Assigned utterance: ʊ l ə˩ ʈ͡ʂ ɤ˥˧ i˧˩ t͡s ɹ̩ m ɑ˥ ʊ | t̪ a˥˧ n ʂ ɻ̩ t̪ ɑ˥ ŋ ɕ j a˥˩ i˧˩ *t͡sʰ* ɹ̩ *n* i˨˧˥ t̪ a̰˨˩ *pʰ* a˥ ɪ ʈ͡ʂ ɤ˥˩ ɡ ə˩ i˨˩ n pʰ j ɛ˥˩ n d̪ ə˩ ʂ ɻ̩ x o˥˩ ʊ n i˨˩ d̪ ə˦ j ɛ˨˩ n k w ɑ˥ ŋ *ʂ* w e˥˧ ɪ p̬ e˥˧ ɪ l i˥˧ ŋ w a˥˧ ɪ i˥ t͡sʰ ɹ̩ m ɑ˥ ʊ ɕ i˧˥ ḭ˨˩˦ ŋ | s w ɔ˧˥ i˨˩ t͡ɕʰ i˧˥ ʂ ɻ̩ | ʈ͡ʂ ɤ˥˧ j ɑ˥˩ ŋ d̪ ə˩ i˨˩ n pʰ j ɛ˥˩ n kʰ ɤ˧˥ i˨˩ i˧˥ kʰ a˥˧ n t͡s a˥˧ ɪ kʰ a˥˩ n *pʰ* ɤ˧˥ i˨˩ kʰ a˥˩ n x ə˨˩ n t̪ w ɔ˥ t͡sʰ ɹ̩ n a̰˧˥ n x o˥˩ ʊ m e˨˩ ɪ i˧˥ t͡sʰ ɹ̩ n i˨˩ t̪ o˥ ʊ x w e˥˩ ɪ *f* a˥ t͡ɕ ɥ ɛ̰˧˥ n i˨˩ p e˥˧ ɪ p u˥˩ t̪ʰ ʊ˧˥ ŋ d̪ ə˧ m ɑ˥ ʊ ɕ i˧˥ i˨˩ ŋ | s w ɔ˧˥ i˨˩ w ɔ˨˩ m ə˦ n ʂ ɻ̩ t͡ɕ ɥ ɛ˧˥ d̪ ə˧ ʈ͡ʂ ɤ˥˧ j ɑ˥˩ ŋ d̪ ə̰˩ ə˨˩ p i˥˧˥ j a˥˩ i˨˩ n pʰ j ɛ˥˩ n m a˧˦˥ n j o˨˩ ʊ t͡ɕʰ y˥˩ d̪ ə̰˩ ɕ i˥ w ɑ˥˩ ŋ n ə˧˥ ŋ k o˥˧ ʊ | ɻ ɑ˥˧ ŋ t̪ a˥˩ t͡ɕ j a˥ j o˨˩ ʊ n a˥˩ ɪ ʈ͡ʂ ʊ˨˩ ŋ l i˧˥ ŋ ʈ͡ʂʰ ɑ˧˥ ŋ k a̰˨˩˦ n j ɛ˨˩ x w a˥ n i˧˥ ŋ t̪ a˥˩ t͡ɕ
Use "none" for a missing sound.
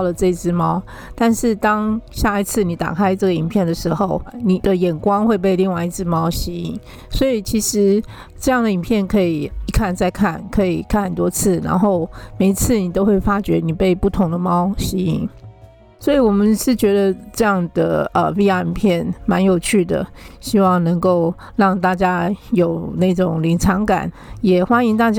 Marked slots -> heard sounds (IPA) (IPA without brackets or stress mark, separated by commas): t͡sʰ, n, kʰ, x, kʰ, f